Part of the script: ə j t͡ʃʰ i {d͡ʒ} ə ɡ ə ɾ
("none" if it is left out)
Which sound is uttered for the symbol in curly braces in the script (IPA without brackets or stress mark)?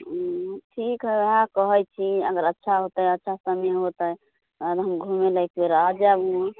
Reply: none